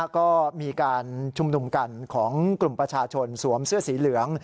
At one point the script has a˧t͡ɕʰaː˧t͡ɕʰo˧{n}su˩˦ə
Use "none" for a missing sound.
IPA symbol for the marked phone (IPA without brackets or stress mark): n